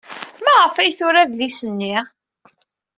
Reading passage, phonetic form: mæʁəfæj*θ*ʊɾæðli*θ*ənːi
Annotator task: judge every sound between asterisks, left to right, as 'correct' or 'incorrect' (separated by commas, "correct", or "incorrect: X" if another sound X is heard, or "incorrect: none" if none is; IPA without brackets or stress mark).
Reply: correct, incorrect: s